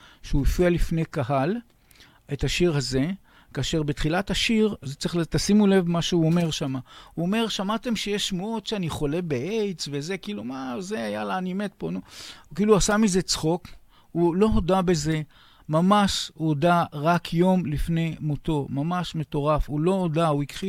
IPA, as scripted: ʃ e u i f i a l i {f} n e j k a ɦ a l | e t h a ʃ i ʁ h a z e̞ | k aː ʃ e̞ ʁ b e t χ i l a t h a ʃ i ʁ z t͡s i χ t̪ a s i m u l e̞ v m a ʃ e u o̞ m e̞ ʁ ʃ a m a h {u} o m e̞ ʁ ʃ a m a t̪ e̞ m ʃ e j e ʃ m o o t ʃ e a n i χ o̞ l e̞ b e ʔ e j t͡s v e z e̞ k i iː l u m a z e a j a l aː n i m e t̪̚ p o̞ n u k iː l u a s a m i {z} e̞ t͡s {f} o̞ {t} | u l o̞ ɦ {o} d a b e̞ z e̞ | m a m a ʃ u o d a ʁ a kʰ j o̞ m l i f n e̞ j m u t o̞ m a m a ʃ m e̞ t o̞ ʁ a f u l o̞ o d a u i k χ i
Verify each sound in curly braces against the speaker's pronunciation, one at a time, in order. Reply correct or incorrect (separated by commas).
correct, correct, correct, incorrect, incorrect, correct